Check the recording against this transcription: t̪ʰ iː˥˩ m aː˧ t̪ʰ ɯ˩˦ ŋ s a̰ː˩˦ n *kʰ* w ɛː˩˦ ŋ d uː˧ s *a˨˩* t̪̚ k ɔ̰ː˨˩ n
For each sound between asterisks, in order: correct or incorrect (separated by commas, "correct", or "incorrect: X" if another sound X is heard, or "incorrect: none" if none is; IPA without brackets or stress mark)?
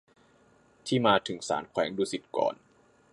correct, incorrect: i˨˩